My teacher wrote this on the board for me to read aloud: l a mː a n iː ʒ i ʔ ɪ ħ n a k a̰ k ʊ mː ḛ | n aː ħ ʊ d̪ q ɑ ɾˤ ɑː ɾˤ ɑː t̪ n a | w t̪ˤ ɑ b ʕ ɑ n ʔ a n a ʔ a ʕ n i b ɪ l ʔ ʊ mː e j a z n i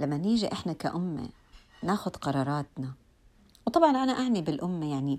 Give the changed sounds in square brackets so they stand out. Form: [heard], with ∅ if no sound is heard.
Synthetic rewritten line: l a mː a n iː ʒ i ʔ ɪ ħ n a k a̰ [ʔ] ʊ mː ḛ | n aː [x] ʊ d̪ q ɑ ɾˤ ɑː ɾˤ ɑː t̪ n a | w t̪ˤ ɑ b ʕ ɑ n ʔ a n a ʔ a ʕ n i b ɪ l ʔ ʊ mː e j a [ʕ] n i